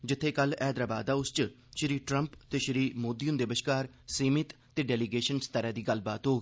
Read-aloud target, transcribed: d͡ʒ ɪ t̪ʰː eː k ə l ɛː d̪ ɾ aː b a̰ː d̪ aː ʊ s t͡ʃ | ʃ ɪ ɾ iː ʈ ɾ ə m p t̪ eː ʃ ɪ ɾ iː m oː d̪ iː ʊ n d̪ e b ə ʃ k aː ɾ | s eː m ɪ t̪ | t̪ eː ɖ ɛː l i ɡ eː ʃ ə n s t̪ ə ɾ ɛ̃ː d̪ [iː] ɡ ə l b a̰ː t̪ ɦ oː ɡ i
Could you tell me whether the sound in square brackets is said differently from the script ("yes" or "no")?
no